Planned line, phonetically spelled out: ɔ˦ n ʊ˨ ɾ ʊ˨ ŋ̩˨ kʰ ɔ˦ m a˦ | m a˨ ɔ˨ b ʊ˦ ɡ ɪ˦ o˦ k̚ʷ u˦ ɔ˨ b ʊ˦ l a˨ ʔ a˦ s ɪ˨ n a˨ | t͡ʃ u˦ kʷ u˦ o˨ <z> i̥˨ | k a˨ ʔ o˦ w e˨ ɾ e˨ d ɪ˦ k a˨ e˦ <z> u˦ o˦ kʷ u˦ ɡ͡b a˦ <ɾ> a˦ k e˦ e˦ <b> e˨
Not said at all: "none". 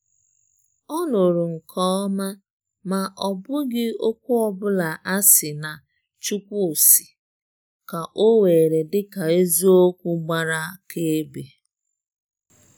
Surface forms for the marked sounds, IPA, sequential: s, z, ɾ, b

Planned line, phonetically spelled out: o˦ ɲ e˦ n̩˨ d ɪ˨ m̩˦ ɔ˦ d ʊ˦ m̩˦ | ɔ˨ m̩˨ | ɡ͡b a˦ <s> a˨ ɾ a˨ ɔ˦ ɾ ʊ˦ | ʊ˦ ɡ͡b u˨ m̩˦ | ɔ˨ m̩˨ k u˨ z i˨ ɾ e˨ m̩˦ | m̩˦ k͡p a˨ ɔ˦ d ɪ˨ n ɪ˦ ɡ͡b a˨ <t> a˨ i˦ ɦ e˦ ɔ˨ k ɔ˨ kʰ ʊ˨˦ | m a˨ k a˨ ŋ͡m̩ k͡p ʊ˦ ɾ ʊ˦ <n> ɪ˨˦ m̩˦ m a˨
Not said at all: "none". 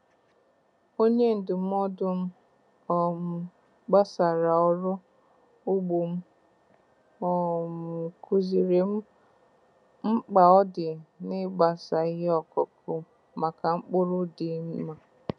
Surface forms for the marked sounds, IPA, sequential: s, s, d

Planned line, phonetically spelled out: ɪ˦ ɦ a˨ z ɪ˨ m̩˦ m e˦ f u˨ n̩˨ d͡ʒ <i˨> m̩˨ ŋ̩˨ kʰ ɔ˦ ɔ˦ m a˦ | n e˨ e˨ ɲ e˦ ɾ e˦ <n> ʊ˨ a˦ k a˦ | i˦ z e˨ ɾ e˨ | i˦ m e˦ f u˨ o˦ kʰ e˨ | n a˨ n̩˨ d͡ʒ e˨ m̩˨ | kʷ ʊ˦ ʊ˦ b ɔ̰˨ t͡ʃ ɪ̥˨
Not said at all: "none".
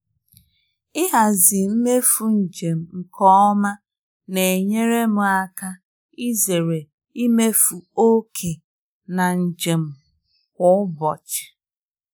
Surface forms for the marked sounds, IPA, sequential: e˨, m

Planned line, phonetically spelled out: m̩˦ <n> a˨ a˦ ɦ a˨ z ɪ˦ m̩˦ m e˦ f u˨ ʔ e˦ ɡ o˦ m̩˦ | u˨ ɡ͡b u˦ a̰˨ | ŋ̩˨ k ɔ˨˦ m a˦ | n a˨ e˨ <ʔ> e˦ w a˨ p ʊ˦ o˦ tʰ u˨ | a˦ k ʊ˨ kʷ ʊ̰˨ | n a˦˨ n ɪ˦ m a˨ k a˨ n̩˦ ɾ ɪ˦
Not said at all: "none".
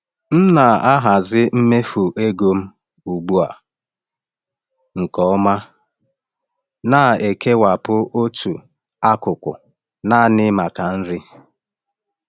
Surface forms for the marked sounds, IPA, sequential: n, k

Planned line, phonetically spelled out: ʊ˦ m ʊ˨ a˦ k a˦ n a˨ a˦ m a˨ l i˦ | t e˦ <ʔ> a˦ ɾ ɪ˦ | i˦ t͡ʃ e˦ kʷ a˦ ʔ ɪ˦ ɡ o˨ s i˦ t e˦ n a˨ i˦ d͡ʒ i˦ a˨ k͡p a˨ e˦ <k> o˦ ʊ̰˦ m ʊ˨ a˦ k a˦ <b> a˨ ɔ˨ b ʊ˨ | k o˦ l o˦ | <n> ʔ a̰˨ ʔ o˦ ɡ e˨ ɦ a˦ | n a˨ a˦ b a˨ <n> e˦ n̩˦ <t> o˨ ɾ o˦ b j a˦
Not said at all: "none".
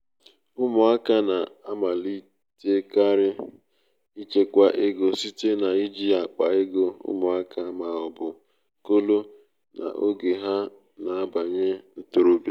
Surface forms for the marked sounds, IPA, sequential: k, ɡ, m, n, ɲ, t

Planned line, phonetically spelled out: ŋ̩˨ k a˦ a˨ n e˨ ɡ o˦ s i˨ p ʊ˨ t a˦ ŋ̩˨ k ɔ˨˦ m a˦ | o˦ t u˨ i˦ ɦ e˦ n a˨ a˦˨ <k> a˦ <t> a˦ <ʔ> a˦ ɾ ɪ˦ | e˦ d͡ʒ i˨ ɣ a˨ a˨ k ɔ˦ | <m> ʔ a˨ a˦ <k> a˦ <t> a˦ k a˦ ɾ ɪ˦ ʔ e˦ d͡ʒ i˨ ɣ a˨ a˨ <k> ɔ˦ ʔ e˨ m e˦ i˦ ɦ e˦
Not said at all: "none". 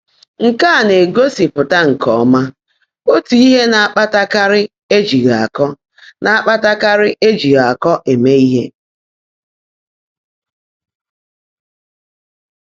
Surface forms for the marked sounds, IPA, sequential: k͡p, t, k, n, k͡p, t, k

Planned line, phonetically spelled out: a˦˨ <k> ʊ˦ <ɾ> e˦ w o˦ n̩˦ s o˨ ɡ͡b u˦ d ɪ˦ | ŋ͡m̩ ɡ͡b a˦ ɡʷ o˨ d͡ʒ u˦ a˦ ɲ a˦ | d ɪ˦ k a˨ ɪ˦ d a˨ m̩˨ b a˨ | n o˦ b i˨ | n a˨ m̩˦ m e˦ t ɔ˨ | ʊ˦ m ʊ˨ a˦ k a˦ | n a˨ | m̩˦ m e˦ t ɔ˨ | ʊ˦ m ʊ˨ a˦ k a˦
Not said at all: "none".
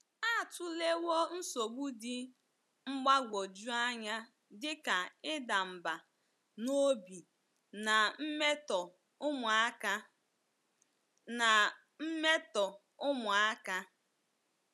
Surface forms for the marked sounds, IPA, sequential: t, l

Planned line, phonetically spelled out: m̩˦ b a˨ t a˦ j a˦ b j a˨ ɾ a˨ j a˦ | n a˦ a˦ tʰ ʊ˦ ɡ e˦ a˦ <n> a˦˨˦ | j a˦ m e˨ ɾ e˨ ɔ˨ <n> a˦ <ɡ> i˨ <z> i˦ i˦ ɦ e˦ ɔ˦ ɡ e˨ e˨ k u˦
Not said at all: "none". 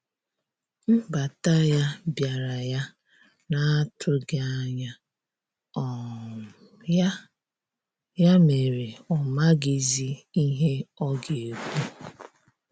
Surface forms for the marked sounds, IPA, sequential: ɲ, m, ɡ, z

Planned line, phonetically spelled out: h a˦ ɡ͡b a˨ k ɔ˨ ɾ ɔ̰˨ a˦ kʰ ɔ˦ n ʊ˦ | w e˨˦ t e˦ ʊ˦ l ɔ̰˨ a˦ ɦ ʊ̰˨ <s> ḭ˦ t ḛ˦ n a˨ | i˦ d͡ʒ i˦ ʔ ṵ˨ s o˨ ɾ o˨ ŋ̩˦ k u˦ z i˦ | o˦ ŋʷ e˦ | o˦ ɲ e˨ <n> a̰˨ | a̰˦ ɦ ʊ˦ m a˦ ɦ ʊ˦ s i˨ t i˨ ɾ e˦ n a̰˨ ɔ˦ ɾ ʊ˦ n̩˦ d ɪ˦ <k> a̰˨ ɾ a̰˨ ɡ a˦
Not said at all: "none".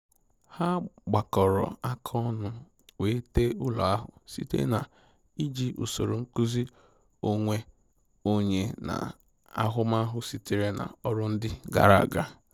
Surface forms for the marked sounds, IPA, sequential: s, n, ɡ

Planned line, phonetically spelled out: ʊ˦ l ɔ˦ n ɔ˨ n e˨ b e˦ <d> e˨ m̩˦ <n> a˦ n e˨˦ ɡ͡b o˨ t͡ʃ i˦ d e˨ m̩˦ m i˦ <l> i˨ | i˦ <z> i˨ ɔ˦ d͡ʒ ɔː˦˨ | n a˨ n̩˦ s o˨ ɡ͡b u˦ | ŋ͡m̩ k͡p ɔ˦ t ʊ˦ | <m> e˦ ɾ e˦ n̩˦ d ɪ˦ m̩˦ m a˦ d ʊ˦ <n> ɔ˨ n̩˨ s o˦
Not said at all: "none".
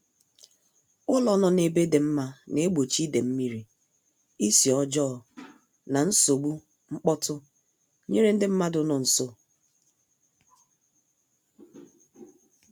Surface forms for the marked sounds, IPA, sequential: d, m, ɾ, s, ɲ, n

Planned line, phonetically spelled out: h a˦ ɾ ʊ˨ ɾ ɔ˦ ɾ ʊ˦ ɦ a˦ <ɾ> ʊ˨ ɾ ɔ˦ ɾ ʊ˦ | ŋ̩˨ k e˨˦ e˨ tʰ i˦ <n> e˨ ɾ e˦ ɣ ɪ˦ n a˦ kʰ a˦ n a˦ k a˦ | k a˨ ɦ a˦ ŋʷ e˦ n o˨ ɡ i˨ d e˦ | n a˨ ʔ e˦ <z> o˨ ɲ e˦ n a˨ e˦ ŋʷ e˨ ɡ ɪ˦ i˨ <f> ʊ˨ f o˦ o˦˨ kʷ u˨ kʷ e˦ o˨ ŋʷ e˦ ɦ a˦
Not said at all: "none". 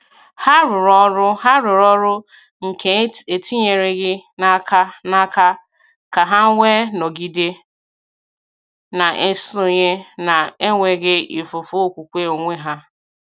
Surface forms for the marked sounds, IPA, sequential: ɾ, ɲ, s, f

